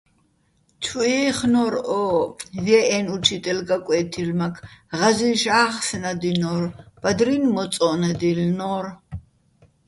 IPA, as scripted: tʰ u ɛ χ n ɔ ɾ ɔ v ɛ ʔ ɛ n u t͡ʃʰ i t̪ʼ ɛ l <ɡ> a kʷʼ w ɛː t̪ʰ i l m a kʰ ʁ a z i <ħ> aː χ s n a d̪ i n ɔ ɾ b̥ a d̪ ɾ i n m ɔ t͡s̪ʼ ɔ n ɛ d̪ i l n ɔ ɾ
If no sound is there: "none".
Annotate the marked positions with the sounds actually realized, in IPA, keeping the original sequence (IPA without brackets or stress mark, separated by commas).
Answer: ɡ, ʃ